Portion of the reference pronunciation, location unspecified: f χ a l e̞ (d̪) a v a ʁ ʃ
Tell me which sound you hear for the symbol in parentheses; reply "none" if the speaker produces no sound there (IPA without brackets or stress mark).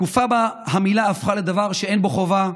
d̪